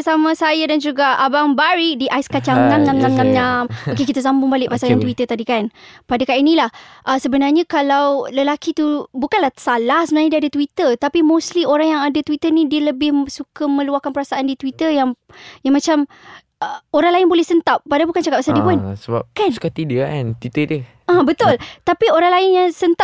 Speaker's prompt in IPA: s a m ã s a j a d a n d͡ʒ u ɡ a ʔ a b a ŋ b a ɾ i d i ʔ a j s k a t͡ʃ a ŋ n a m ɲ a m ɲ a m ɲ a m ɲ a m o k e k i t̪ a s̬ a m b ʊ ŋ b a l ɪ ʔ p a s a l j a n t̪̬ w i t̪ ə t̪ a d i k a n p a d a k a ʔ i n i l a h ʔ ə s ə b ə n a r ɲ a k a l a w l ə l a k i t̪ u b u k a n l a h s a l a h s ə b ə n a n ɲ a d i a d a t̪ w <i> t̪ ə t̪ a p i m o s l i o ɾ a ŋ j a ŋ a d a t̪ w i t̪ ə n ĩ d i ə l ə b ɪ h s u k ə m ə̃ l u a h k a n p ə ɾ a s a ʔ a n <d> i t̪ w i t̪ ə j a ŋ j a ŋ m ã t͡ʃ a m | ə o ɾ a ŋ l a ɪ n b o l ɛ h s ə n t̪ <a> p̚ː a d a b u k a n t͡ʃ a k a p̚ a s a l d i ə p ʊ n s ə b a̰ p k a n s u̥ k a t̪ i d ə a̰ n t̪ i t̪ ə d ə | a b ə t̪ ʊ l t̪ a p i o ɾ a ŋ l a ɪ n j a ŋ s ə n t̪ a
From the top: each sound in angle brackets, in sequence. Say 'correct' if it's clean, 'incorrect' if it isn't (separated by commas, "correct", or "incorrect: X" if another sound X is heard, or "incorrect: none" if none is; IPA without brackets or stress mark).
correct, correct, correct